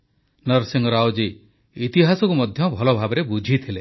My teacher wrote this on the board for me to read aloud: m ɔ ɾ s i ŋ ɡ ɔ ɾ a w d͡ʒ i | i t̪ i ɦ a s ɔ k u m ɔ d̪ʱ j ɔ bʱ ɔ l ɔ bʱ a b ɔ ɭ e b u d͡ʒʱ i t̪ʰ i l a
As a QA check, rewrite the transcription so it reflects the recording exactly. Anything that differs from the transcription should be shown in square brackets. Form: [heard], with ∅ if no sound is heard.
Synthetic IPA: [n] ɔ ɾ s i ŋ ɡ ɔ ɾ a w d͡ʒ i | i t̪ i ɦ a s ɔ k u m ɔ d̪ʱ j ɔ bʱ ɔ l ɔ bʱ a b ɔ [ɾ] e b u d͡ʒʱ i t̪ʰ i l [e]